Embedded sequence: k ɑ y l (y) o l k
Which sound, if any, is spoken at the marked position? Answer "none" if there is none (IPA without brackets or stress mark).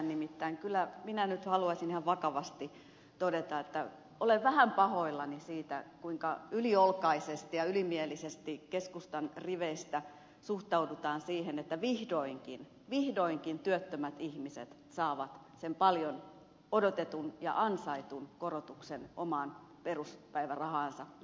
i